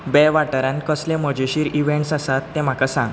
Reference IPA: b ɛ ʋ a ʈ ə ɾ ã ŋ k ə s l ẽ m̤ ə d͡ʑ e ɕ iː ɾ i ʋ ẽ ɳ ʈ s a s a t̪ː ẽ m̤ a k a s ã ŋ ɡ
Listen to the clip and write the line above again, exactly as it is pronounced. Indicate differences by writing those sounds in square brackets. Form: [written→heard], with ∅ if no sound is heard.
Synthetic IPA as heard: b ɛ ʋ a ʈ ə ɾ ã [ŋ→n] k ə s l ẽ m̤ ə d͡ʑ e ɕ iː ɾ i ʋ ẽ ɳ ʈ s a s a t̪ː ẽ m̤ a k a s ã ŋ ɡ